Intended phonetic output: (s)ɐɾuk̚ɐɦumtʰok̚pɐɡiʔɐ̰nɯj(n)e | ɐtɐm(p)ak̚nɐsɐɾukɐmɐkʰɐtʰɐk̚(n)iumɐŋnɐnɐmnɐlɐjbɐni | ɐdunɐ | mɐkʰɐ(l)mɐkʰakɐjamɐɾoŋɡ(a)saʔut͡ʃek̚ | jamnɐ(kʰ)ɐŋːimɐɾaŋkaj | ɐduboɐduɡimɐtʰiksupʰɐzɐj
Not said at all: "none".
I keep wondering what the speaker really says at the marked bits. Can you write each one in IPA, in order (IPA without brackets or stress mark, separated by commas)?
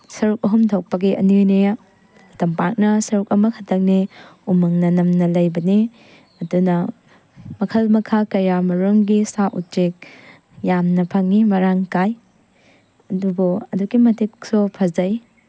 s, n, p, n, l, i, pʰ